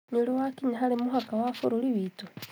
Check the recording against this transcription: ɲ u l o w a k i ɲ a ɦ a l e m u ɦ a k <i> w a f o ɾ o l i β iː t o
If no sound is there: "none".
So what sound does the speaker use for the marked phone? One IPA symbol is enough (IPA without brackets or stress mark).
a